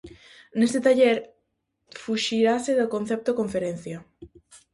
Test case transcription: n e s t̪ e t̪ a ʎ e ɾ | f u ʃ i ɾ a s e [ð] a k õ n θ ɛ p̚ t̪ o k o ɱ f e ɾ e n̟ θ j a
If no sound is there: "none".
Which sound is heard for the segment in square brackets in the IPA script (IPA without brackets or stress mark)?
ð